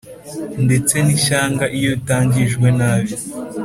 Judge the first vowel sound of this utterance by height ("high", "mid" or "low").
mid